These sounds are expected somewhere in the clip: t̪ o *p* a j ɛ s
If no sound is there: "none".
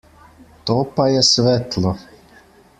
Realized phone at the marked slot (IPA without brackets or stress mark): p